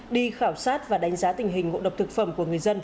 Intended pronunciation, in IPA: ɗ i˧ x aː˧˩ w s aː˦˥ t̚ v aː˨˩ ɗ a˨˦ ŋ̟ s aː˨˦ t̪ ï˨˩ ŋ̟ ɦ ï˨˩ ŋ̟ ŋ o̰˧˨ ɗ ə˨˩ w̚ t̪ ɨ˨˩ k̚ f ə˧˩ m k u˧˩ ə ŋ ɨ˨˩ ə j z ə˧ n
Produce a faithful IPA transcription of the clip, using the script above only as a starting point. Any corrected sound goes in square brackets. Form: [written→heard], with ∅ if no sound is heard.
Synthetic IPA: ɗ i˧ x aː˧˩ w s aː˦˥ t̚ v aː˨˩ ɗ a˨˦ ŋ̟ [s→z] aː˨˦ t̪ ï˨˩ ŋ̟ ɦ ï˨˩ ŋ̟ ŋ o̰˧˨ ɗ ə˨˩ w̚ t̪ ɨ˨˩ k̚ f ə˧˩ m k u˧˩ ə ŋ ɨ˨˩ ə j z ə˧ n

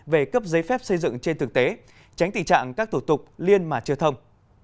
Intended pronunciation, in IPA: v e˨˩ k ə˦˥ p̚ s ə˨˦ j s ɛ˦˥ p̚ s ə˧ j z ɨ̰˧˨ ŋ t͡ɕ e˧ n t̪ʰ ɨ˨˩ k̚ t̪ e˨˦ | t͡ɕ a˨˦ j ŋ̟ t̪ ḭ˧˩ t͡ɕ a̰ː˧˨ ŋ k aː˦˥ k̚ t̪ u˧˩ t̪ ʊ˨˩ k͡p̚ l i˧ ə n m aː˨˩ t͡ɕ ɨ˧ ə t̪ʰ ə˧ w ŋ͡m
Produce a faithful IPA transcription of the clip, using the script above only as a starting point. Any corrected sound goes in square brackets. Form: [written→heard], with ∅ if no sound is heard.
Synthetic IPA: v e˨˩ k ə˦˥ p̚ [s→z] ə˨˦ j [s→f] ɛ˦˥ p̚ s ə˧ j z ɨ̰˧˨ ŋ t͡ɕ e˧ n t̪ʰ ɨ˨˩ k̚ t̪ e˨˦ | t͡ɕ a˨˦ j ŋ̟ t̪ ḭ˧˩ t͡ɕ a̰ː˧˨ ŋ k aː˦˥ k̚ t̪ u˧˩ t̪ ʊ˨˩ k͡p̚ l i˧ ə n m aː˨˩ t͡ɕ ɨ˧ ə t̪ʰ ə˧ w ŋ͡m

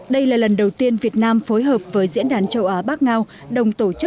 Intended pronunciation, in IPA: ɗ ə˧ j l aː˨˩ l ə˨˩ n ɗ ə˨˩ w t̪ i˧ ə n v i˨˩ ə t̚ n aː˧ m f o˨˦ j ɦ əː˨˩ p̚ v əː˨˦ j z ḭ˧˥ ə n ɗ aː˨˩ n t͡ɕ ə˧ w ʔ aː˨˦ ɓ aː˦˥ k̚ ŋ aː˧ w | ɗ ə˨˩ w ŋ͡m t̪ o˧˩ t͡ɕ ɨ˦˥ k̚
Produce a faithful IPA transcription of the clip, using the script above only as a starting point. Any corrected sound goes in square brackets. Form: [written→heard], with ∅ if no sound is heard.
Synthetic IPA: ɗ ə˧ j l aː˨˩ l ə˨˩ n ɗ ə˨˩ w t̪ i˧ ə n v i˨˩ ə t̚ n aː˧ m f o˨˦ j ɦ əː˨˩ p̚ v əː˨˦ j z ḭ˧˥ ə n ɗ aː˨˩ n t͡ɕ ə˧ w ʔ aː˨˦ ɓ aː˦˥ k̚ ŋ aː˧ w | ɗ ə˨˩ w ŋ͡m t̪ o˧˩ t͡ɕ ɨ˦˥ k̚

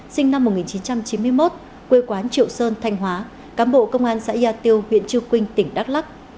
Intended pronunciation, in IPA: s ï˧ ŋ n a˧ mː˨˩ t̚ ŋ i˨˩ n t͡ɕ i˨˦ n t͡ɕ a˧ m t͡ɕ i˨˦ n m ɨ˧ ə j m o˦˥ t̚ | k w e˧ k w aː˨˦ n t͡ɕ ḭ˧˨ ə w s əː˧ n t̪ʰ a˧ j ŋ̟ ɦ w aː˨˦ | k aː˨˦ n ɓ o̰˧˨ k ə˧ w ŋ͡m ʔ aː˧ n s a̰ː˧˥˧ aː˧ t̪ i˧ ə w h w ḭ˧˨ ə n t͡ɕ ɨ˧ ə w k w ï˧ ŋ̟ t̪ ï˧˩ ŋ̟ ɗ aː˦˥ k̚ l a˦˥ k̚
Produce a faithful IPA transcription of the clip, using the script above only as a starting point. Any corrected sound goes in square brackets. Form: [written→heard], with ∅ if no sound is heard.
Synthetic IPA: s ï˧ ŋ n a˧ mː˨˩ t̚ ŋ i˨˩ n t͡ɕ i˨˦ n t͡ɕ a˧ m t͡ɕ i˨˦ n m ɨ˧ ə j m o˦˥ t̚ | k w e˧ k w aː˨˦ n t͡ɕ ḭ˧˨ ə w s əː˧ n t̪ʰ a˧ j ŋ̟ ɦ w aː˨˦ | k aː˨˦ n ɓ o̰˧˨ k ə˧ w ŋ͡m ʔ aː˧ n s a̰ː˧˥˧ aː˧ t̪ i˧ ə w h w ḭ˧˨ ə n t͡ɕ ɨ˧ ə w k w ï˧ ŋ̟ t̪ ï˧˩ ŋ̟ ɗ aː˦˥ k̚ l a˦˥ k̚

